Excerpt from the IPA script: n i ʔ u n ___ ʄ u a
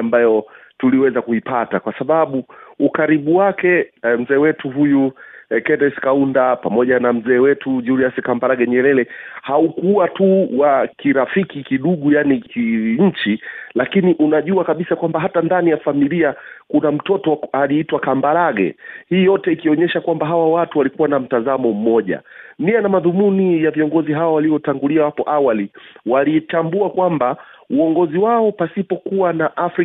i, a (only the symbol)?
a